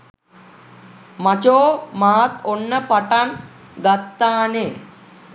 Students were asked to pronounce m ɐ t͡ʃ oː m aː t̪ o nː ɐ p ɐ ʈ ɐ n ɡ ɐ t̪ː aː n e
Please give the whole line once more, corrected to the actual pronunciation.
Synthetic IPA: m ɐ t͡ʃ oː m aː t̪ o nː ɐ p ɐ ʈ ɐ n ɡ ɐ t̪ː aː n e